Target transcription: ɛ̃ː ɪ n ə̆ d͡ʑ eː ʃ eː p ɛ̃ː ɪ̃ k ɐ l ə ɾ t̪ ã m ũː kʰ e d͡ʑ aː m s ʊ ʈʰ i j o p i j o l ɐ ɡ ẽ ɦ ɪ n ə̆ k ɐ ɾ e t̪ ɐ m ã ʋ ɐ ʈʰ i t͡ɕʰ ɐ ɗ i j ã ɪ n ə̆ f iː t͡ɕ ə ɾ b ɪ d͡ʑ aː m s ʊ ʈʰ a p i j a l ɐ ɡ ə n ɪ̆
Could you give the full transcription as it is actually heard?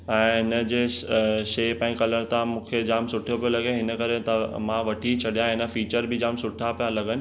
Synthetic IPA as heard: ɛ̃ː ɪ n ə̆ d͡ʑ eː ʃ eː p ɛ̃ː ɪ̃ k ɐ l ə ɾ t̪ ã m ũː kʰ e d͡ʑ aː m s ʊ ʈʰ i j o p i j o l ɐ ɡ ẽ ɦ ɪ n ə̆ k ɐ ɾ e t̪ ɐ m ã ʋ ɐ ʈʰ i t͡ɕʰ ɐ ɗ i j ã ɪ n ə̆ f iː t͡ɕ ə ɾ b ɪ d͡ʑ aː m s ʊ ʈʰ a p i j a l ɐ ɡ ə n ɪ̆